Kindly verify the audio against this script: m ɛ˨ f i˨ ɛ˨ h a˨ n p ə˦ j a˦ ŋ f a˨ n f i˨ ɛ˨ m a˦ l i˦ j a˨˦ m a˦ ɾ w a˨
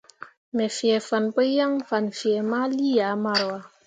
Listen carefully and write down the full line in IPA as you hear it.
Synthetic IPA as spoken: m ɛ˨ f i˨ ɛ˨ f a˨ n p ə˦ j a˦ ŋ f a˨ n f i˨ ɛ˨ m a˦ l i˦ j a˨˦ m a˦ ɾ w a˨